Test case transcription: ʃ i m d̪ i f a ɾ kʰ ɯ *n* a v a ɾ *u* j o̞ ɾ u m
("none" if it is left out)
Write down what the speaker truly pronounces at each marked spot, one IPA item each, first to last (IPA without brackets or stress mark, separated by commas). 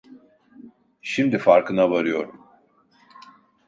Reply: n, ɯ